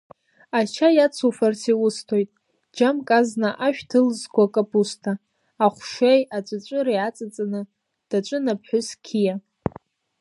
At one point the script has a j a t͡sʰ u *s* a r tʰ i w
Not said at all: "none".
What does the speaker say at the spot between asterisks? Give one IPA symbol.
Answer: f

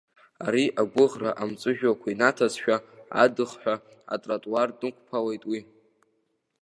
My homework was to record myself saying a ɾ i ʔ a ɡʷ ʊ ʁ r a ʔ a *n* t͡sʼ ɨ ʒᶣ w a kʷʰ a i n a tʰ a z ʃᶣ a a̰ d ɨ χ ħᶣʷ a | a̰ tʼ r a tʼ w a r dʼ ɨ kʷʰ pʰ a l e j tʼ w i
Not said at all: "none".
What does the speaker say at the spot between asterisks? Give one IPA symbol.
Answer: m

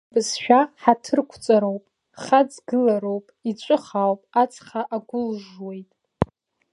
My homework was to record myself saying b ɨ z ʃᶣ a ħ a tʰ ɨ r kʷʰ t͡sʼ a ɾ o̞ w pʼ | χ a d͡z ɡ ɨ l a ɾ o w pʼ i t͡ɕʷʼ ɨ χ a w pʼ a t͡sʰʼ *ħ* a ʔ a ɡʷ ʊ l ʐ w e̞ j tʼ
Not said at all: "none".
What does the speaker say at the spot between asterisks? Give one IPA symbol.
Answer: χ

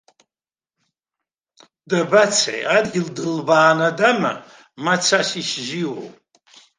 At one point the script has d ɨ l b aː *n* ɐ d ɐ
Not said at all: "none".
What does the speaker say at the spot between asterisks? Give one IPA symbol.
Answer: n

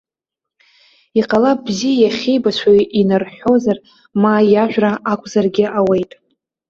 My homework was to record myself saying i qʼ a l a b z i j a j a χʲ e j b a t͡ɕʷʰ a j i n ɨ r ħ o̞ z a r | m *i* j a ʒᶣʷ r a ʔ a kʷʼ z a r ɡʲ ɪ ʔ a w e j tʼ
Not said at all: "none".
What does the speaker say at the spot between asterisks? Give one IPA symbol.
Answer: a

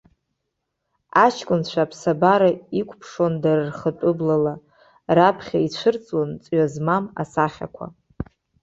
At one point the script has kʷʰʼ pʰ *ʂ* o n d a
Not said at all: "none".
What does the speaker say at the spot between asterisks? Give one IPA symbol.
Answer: ʂ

